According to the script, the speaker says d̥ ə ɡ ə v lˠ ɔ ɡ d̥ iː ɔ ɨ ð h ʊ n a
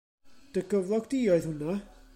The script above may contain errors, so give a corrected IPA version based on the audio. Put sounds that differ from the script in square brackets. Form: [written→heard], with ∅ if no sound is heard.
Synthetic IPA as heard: d̥ ə ɡ ə v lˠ ɔ ɡ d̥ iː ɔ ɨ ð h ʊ n a